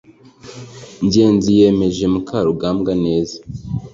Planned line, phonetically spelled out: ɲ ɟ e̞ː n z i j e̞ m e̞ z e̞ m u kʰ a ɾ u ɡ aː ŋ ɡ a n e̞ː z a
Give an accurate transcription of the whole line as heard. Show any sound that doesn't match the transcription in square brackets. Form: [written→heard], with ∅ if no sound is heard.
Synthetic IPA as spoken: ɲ ɟ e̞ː n z i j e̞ m e̞ [z→ʒ] e̞ m u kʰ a ɾ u ɡ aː [ŋ→m] ɡ a n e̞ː z a